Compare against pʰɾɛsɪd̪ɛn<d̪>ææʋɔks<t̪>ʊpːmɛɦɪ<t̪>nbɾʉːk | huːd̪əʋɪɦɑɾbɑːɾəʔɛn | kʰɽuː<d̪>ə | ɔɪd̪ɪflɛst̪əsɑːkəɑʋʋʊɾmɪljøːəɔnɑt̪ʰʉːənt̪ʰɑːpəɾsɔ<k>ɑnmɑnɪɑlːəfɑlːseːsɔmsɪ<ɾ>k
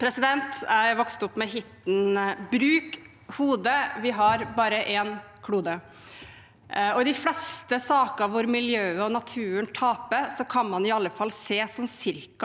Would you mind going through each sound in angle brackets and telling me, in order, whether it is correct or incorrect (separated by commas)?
incorrect, correct, correct, correct, incorrect, correct